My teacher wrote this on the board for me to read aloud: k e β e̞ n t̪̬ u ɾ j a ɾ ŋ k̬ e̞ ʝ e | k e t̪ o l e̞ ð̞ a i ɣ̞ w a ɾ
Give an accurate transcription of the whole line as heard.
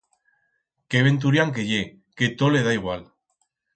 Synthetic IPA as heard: k e β e̞ n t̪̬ u ɾ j a ŋ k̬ e̞ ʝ e | k e t̪ o l e̞ ð̞ a i ɣ̞ w a l